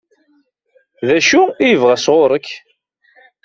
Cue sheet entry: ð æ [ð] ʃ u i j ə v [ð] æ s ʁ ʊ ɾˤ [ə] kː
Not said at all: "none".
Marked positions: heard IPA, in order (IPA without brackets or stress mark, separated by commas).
none, ʁ, ə